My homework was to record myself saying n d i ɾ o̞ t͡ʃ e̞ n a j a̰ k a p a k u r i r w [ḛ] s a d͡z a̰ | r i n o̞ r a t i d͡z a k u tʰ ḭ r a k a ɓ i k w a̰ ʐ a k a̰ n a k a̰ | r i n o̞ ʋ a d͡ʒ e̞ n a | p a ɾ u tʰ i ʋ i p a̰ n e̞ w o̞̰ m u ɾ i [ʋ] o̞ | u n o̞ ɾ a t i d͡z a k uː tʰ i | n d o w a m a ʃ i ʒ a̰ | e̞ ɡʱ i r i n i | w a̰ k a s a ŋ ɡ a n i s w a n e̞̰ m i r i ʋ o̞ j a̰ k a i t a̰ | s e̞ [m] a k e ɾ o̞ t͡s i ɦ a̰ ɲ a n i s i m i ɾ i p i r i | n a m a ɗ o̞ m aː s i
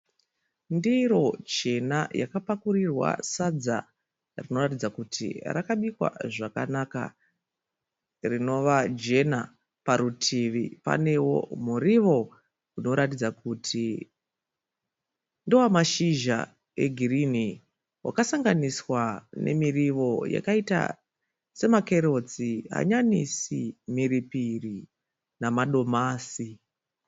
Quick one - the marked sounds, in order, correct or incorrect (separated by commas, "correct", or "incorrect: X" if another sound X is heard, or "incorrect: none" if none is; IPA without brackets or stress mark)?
incorrect: a̰, correct, correct